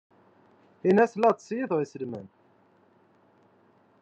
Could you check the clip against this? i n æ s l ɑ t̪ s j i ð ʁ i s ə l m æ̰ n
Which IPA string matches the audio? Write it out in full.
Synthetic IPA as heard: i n æ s l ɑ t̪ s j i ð ʁ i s ə l m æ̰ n